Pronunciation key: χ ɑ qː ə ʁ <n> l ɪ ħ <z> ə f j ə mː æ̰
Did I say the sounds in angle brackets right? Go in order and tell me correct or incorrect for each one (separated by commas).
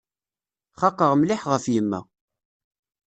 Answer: incorrect, incorrect